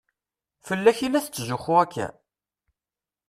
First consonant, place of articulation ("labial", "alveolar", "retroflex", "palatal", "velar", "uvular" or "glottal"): labial